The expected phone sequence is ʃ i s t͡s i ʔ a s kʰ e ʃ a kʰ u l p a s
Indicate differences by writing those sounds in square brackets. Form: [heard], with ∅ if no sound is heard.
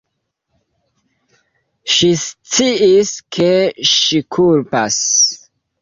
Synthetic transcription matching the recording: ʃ i s t͡s i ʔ [i] s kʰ e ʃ [i] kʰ u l p a s